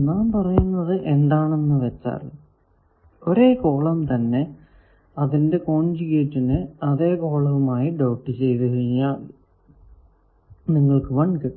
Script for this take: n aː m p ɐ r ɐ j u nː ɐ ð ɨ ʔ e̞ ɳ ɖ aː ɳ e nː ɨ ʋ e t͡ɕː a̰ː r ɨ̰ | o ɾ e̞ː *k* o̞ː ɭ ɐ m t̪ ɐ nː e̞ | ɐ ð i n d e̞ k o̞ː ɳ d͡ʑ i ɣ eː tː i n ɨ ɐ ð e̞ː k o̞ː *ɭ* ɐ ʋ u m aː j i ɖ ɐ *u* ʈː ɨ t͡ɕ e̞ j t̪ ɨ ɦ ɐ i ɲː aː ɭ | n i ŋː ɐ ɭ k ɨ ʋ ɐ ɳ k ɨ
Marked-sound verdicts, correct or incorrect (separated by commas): correct, correct, incorrect